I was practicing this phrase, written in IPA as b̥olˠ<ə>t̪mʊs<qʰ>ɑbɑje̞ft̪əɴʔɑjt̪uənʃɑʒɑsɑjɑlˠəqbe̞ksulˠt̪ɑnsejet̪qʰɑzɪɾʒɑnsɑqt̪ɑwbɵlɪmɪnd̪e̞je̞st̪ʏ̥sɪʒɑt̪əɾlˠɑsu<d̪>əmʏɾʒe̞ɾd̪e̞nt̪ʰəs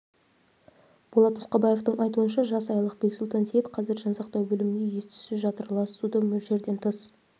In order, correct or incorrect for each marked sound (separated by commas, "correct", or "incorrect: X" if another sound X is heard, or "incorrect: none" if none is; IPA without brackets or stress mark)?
incorrect: ɑ, incorrect: q, correct